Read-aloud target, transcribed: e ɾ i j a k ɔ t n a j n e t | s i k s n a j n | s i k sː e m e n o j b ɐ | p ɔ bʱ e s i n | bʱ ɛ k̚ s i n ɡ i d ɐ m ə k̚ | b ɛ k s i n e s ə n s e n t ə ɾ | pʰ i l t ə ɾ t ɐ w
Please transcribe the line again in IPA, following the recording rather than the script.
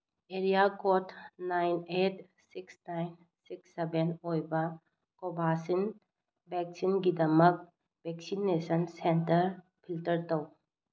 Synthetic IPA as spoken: e ɾ i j a k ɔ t n a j n e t | s i k s n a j n | s i k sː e b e n o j b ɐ | k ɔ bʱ a s i n | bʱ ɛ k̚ s i n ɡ i d ɐ m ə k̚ | b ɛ k s i n e s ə n s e n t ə ɾ | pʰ i l t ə ɾ t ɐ w